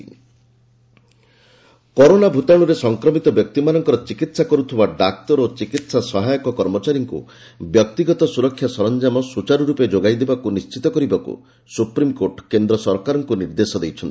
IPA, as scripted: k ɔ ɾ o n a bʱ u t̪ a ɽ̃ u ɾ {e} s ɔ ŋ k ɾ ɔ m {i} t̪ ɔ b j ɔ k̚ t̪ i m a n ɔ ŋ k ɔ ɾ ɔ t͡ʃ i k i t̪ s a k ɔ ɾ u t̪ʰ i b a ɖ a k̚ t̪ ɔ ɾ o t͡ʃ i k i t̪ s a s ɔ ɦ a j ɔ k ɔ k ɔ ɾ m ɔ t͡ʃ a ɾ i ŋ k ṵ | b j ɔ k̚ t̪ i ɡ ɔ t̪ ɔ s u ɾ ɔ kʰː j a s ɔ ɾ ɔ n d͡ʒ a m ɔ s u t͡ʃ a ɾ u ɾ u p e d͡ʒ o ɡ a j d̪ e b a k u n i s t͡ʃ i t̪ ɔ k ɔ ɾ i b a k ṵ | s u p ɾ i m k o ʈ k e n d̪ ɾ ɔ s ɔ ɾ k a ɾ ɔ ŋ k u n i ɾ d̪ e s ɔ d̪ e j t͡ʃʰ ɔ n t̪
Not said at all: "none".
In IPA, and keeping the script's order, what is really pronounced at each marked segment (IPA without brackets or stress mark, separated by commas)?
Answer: e, i